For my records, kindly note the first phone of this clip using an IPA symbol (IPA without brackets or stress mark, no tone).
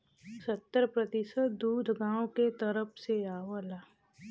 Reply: s